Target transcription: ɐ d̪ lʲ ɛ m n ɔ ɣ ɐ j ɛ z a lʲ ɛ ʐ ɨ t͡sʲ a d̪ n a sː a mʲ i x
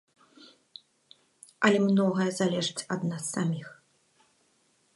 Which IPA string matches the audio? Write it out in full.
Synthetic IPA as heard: ɐ lʲ ɛ m n ɔ ɣ ɐ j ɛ z a lʲ ɛ ʐ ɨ t͡sʲ ɐ d̪ n a sː a mʲ i x